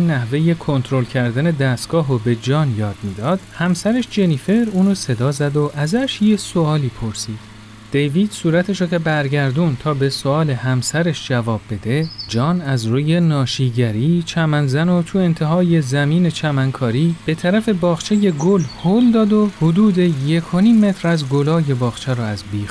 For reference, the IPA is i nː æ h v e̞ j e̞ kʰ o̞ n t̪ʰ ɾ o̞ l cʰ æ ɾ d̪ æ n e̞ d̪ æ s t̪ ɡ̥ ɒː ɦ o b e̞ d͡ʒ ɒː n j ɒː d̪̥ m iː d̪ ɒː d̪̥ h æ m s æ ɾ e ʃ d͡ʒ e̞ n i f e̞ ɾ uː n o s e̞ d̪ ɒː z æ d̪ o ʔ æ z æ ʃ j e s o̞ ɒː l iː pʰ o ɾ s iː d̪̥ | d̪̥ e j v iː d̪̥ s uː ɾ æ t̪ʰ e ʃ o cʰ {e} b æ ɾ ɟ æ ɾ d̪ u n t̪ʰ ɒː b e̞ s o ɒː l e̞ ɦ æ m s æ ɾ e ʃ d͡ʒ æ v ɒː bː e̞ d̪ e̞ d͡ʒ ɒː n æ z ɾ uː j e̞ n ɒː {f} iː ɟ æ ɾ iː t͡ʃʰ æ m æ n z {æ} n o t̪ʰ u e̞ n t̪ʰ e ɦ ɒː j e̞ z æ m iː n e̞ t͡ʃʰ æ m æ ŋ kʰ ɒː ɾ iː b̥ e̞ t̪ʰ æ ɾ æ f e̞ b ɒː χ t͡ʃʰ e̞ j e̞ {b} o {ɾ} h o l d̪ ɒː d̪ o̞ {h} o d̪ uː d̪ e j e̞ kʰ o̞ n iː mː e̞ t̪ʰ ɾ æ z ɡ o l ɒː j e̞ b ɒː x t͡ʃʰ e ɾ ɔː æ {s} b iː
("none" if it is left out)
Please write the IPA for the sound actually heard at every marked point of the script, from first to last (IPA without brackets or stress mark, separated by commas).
e, ʃ, æ, ɡ, l, h, z